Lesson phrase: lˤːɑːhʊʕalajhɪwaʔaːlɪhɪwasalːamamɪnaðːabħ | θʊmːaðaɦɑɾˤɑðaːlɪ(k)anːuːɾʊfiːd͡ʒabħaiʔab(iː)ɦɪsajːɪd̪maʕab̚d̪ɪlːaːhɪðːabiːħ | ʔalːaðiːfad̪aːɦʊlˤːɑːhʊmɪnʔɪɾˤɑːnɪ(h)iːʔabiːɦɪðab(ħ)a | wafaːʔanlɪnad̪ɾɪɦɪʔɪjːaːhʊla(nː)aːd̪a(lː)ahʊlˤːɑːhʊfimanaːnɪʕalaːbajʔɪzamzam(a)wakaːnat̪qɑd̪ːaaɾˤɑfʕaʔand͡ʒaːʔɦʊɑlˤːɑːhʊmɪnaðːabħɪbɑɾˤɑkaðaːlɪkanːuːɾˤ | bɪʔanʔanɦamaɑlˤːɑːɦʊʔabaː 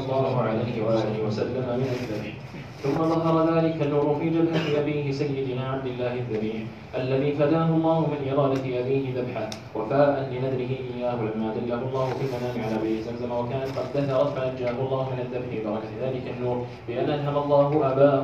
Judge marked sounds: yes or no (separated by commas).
yes, yes, no, yes, no, yes, yes